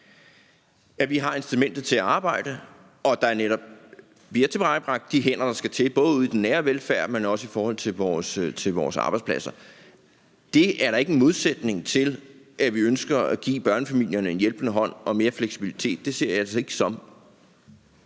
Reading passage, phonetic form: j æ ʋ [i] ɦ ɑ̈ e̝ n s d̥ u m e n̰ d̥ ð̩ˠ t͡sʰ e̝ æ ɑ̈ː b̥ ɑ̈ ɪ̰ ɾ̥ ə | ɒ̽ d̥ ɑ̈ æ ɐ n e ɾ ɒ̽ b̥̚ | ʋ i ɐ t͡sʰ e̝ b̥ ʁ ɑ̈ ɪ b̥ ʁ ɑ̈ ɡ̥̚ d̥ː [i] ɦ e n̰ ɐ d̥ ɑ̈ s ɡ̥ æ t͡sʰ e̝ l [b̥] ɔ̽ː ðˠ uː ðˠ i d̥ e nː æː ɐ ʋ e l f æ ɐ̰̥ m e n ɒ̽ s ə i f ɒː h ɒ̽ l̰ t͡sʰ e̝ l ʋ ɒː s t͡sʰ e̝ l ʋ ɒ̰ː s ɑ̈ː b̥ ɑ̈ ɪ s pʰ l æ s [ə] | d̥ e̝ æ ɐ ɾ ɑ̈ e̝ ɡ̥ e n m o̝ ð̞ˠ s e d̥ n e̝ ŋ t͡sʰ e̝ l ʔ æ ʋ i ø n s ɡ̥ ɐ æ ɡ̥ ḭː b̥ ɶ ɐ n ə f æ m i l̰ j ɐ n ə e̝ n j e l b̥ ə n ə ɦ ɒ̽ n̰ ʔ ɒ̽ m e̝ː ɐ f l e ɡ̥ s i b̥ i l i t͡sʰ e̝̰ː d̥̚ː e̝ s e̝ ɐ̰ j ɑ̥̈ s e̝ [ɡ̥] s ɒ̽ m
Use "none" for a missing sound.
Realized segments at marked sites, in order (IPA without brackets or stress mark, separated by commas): i, i, b̥, ɐ, ɡ̥